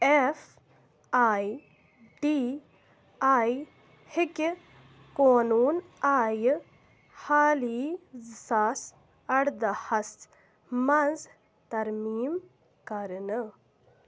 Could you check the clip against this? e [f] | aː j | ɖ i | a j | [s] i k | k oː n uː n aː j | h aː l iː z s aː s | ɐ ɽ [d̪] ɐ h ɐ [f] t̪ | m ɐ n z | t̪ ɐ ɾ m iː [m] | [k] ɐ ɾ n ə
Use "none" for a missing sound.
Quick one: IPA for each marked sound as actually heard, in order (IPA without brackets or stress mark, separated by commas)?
f, h, d̪, s, m, k